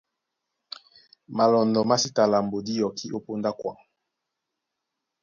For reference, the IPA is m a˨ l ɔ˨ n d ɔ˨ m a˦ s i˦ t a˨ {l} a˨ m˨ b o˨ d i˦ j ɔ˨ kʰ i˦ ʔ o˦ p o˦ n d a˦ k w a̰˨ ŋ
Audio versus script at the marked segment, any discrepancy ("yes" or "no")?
no